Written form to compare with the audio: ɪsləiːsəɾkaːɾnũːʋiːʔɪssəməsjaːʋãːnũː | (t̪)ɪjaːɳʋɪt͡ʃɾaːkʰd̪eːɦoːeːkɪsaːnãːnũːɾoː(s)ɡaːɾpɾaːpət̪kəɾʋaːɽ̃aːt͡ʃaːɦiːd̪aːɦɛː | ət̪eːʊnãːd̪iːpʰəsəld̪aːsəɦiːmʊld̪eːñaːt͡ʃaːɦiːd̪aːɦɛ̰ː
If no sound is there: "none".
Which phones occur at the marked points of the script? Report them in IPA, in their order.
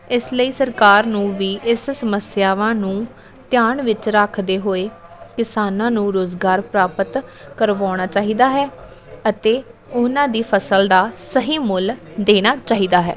t̪, z

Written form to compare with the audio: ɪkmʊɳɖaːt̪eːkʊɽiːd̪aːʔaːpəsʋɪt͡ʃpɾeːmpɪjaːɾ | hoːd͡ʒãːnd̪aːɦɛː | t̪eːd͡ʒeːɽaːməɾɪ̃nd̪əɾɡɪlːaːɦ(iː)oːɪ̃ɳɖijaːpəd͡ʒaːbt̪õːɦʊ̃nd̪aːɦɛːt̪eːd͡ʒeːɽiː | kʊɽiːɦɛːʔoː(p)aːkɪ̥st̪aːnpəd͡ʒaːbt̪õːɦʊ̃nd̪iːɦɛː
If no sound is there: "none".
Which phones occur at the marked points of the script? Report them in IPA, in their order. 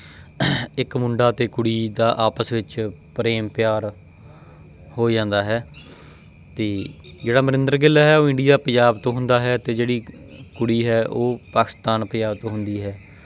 ɛː, p

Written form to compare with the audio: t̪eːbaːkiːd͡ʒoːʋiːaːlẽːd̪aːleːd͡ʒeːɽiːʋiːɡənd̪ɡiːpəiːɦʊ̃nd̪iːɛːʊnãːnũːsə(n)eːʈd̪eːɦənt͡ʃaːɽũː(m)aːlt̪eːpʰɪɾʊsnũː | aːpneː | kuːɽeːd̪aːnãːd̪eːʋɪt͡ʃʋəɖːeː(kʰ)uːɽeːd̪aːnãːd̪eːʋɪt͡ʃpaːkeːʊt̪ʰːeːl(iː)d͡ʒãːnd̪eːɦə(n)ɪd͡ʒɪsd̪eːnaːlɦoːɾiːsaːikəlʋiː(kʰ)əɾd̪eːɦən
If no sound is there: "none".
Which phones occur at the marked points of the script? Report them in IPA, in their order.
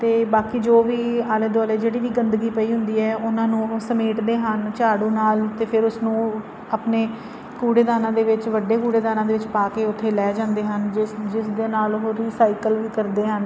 m, n, k, ɛː, n, k

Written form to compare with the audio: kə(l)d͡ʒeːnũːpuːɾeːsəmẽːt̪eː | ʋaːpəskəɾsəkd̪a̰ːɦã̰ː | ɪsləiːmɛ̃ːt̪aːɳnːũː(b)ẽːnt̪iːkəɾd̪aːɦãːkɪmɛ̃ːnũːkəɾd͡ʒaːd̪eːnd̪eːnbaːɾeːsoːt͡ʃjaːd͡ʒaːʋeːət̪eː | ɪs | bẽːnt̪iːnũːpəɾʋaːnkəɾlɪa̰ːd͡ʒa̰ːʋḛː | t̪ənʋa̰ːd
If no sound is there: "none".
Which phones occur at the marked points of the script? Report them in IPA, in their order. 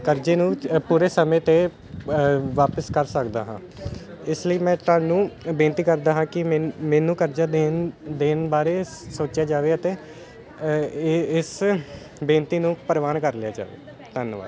ɾ, b

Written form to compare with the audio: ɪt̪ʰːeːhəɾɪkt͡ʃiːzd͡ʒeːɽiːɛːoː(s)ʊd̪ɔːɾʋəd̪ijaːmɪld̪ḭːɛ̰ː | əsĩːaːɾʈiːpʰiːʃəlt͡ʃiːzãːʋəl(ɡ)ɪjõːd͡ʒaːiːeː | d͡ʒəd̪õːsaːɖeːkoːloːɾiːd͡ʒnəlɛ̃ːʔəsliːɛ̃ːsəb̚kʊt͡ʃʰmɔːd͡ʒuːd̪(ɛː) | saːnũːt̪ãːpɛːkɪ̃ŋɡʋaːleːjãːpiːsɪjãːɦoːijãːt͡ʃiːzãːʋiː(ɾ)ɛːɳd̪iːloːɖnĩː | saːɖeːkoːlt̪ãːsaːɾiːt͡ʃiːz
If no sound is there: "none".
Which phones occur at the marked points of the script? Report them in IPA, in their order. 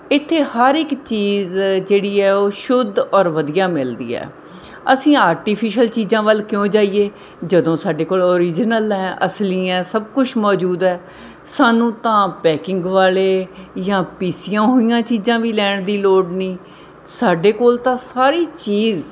ʃ, k, ɛː, l

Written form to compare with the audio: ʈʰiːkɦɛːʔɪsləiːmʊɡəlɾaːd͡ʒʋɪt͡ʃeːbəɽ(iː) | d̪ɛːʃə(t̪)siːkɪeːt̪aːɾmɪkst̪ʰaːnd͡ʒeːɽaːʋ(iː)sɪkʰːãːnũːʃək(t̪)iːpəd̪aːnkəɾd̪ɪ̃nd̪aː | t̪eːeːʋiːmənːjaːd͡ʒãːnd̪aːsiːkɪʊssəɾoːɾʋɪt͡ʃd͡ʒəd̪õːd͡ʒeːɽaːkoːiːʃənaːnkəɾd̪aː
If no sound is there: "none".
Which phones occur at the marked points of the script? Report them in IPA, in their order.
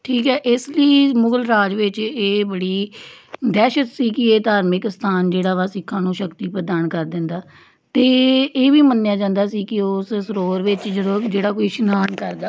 iː, t̪, aː, t̪

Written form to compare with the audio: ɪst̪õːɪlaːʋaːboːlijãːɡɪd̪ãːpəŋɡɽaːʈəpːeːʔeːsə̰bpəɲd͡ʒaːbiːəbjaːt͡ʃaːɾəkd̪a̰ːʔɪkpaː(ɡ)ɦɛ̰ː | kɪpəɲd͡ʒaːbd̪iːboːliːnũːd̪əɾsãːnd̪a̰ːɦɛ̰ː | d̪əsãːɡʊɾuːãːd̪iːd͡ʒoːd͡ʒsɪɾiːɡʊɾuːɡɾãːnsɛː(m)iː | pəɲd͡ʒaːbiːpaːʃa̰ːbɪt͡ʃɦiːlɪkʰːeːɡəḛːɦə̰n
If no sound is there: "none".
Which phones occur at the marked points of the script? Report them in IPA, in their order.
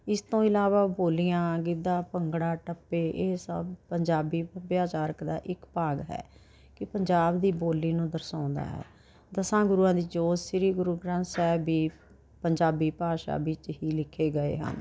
ɡ, b

